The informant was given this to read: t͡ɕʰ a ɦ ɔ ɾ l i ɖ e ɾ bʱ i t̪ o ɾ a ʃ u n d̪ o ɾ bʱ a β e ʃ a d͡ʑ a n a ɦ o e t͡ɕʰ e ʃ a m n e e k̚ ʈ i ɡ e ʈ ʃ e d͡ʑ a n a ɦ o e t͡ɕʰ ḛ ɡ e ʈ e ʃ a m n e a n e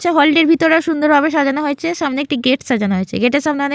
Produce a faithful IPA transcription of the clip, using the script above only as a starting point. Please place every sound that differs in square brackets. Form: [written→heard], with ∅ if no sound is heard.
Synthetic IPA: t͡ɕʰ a ɦ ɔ [ɾ→∅] l i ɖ e ɾ bʱ i t̪ o ɾ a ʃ u n d̪ o ɾ bʱ a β e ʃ a d͡ʑ a n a ɦ o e t͡ɕʰ e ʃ a m n e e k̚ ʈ i ɡ e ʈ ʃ [e→a] d͡ʑ a n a ɦ o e t͡ɕʰ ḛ ɡ e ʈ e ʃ a m n e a n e